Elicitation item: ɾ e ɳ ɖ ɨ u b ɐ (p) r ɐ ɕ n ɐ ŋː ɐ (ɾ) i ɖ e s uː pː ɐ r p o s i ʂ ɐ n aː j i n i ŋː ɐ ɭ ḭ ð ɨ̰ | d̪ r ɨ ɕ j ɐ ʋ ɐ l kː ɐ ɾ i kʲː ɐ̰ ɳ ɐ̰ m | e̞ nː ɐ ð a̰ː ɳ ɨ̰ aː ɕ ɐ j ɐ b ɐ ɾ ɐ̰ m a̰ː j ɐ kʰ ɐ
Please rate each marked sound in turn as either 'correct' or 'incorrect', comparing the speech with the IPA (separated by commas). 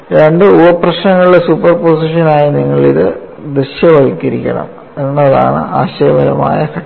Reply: correct, incorrect